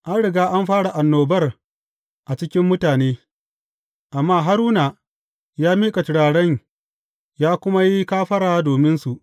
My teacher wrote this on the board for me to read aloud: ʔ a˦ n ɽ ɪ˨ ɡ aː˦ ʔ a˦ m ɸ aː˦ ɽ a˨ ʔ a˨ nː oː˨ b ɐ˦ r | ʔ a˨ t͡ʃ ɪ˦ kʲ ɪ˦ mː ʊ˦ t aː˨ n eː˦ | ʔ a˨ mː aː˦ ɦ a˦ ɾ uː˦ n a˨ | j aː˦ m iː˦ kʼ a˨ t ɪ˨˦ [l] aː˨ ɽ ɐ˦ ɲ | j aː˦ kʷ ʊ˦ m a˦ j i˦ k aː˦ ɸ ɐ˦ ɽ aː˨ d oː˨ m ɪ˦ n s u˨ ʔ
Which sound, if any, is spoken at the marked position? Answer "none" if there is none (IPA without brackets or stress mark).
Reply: ɽ